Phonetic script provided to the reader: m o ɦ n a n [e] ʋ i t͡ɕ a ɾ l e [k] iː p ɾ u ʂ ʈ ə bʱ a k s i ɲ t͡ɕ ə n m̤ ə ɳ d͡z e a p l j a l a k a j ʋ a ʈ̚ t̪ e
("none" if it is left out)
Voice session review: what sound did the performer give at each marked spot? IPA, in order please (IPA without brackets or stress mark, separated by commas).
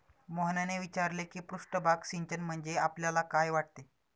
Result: e, k